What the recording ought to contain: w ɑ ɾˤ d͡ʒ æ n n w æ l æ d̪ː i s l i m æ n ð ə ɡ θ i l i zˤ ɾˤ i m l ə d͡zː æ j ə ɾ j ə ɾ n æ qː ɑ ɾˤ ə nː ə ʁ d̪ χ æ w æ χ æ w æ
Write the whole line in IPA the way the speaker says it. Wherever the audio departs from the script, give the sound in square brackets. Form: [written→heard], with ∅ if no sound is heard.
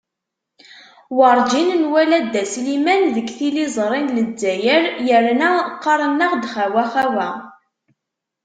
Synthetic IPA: w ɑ ɾˤ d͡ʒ [æ→i] n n w æ l æ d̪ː [i→æ] s l i m æ n ð ə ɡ θ i l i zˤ ɾˤ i [m→n] l ə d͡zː æ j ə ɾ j ə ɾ n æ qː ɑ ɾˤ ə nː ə ʁ d̪ χ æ w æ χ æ w æ